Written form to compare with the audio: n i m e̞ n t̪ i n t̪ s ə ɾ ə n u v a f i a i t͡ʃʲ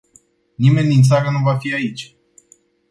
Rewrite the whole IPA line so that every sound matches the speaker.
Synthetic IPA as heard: n i m e̞ n d̪ i n t̪ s a ɾ ə n u v a f i a i t͡ʃʲ